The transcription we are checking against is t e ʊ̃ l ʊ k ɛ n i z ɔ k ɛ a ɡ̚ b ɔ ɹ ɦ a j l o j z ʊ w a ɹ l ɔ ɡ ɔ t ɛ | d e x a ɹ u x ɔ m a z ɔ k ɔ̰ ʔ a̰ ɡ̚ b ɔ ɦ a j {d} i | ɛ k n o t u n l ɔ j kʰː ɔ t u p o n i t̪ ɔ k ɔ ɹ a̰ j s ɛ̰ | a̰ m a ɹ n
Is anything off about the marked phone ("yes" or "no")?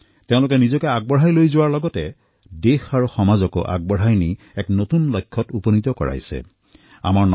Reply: yes